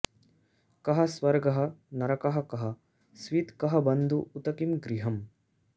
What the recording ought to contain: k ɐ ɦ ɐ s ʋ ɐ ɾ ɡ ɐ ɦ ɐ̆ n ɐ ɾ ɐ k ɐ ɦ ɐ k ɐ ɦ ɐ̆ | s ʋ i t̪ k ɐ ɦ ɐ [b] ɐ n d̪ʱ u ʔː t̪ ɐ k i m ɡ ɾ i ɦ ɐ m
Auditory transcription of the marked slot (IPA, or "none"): b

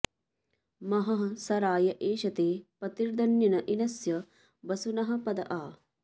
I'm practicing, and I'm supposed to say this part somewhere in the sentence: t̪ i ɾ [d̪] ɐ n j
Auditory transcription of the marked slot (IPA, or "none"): d̪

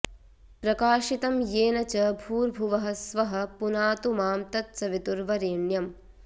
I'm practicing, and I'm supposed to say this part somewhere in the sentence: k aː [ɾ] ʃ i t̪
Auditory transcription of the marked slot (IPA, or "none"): none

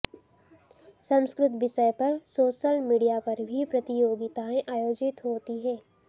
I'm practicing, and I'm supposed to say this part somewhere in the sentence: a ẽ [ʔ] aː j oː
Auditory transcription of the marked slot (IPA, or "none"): ʔ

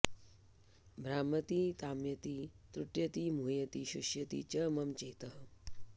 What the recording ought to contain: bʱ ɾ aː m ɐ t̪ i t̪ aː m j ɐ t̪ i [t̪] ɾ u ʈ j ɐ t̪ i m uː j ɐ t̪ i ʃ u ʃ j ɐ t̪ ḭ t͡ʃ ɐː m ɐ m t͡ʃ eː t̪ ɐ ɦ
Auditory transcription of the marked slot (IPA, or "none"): t̪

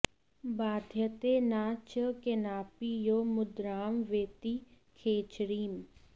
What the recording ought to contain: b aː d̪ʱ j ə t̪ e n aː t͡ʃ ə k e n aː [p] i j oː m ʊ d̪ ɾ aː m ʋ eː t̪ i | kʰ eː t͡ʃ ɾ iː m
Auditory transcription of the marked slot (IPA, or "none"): p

